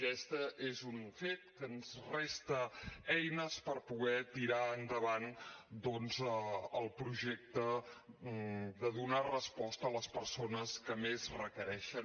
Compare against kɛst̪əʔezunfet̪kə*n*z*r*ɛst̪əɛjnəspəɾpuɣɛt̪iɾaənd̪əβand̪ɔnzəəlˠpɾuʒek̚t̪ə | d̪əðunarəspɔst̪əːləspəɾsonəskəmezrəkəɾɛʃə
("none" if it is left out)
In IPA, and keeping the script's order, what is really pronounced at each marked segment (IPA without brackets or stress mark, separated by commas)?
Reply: n, r